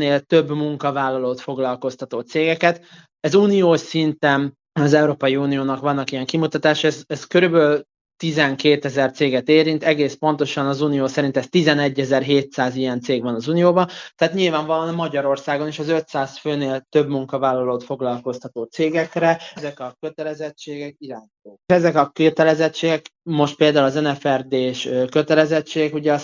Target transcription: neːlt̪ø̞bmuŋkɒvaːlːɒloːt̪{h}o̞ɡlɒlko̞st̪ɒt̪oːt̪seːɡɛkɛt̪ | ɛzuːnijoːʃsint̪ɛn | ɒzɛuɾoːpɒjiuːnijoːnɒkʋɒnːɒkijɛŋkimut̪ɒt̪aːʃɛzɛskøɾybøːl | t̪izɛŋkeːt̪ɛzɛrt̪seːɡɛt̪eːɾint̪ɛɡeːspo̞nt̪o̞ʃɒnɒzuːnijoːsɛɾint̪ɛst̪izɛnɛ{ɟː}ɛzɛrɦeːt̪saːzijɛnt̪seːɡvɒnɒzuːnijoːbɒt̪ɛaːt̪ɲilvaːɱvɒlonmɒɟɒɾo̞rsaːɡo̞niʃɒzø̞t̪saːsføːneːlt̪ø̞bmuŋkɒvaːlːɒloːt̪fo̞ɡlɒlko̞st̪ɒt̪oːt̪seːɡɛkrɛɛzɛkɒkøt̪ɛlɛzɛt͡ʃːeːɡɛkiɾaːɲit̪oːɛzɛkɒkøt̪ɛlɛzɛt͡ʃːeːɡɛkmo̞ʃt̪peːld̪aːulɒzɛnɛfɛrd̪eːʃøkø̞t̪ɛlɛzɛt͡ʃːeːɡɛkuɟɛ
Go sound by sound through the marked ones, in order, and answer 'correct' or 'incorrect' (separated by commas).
incorrect, correct